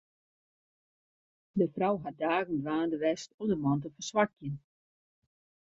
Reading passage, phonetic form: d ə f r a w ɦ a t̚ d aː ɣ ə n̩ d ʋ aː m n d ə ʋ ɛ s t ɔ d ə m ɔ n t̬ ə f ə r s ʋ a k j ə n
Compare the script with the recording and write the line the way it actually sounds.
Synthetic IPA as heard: d ə f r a w ɦ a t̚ d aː ɣ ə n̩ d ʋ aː n d ə ʋ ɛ s t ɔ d ə m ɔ n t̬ ə f ə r s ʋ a k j ə n